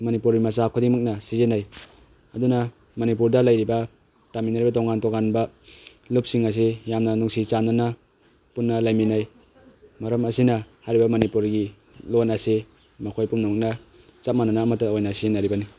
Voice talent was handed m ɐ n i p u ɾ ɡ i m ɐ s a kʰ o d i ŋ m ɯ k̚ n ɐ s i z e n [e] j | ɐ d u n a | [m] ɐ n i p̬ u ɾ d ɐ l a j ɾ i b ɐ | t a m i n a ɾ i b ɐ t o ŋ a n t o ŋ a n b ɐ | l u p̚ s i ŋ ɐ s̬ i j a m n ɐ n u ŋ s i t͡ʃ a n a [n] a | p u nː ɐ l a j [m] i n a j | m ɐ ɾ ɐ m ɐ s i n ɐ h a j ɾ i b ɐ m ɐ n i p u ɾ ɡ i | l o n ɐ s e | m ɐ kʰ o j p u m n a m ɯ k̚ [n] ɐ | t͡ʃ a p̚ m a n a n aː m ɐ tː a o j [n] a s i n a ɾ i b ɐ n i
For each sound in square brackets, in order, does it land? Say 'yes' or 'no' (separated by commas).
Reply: no, yes, yes, yes, yes, yes